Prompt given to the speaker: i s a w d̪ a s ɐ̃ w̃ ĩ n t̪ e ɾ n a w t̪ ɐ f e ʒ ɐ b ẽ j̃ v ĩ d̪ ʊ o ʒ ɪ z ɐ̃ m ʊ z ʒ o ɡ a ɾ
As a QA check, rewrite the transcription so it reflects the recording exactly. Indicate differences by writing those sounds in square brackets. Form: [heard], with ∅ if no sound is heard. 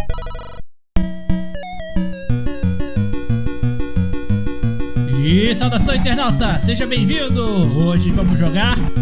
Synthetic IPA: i s a w d̪ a s ɐ̃ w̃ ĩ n t̪ e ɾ n a w t̪ ɐ [s] e ʒ ɐ b ẽ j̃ v ĩ d̪ ʊ o ʒ ɪ [v] ɐ̃ m ʊ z ʒ o ɡ a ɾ